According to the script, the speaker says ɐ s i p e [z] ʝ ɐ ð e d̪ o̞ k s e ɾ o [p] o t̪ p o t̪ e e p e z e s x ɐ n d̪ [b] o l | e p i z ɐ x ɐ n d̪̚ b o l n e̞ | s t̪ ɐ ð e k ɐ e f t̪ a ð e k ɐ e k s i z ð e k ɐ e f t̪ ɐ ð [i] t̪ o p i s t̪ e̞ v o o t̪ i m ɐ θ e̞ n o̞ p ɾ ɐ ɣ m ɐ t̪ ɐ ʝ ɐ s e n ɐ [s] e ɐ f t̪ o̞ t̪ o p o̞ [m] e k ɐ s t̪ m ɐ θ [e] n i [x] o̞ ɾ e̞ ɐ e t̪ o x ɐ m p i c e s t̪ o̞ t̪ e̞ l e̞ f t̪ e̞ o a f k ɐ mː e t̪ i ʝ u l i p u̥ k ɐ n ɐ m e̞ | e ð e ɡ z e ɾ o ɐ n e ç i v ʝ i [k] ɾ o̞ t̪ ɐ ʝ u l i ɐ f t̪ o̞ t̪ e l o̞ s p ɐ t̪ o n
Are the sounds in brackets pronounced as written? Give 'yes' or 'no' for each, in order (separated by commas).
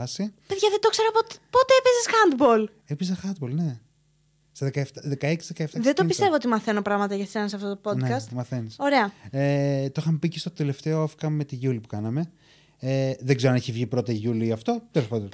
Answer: no, yes, yes, no, yes, no, yes, no, no